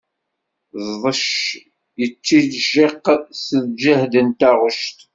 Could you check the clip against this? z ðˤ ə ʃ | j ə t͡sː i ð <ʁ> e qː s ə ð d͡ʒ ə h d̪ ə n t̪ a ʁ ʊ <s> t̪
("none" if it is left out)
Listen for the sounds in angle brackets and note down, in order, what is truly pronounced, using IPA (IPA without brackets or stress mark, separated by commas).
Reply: ʒ, ʃ